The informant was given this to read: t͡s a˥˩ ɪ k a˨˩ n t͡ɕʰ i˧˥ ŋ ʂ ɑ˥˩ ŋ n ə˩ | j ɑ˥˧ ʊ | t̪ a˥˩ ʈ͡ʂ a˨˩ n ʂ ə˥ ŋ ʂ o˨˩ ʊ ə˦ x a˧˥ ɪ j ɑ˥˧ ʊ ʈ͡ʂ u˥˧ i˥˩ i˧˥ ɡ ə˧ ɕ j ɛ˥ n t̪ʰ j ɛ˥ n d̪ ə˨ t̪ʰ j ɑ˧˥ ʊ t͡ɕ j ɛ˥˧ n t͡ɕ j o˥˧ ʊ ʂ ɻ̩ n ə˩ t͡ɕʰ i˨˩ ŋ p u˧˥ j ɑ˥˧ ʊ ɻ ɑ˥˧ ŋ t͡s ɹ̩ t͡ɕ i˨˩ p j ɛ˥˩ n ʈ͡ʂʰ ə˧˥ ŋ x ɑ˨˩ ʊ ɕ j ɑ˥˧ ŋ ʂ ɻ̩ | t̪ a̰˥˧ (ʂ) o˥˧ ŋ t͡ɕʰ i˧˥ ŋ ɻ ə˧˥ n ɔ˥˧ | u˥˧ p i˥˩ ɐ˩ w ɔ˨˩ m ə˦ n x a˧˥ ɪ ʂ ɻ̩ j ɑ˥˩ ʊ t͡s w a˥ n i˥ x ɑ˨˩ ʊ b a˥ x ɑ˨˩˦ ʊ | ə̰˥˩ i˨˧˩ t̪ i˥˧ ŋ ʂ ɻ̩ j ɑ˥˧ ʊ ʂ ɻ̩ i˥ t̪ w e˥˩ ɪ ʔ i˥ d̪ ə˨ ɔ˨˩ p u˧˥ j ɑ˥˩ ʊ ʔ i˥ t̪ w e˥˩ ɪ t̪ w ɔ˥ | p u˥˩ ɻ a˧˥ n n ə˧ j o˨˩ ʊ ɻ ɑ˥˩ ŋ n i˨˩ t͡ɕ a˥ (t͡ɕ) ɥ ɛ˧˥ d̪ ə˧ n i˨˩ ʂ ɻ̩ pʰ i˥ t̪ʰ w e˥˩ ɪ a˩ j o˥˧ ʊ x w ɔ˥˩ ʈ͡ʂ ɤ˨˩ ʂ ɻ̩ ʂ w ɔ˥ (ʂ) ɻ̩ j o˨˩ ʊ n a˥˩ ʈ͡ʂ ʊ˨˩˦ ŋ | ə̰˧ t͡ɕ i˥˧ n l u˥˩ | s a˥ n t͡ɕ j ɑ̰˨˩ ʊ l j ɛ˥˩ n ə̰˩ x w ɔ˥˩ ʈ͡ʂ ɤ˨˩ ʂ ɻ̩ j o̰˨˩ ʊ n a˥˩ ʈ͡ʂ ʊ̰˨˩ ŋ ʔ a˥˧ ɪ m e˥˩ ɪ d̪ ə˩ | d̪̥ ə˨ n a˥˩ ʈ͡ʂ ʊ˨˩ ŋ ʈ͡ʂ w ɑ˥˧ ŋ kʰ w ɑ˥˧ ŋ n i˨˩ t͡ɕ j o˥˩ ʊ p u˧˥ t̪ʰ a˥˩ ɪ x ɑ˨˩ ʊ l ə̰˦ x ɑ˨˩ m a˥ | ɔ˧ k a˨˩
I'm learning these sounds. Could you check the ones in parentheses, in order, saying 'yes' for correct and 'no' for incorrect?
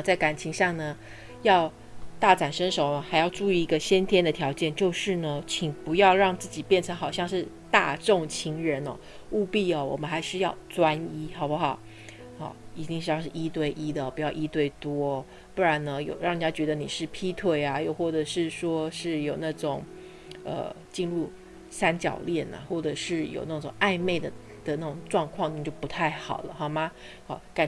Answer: no, yes, yes

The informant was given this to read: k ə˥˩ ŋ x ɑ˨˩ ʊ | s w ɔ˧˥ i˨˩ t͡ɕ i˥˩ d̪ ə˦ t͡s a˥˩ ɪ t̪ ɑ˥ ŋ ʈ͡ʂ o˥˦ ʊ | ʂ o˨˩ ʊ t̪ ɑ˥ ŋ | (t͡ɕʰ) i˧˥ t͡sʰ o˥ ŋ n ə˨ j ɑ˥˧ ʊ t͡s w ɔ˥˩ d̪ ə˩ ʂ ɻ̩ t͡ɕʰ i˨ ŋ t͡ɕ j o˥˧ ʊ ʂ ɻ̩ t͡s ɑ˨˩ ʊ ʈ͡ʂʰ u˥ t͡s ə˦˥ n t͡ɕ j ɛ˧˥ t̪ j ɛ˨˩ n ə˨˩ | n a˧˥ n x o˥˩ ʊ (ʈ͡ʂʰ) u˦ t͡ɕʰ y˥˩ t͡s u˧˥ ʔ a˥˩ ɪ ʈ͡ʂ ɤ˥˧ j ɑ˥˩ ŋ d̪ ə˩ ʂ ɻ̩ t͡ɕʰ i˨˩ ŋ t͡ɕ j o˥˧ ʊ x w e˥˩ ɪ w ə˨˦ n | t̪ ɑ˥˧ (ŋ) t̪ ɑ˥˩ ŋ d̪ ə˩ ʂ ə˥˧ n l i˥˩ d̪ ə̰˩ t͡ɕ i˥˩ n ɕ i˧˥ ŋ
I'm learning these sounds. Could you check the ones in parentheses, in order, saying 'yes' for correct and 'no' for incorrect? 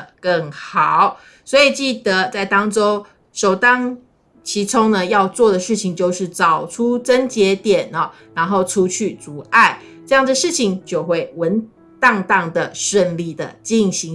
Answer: yes, yes, yes

